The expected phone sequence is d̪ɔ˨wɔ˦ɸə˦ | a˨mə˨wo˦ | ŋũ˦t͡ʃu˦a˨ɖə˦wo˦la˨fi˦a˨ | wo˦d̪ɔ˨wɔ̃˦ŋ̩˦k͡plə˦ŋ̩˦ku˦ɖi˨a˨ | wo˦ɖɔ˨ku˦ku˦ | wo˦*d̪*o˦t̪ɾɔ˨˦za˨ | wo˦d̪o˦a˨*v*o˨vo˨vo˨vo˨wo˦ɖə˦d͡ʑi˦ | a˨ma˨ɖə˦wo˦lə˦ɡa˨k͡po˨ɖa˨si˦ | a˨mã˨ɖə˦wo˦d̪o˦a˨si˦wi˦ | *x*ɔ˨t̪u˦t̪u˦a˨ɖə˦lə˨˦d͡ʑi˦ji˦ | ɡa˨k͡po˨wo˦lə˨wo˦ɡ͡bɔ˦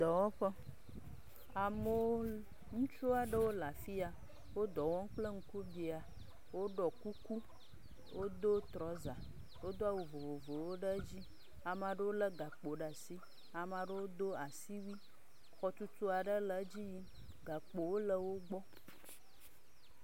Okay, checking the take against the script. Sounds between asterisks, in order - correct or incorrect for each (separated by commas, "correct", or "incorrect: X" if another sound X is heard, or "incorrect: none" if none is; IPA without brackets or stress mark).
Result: correct, incorrect: w, correct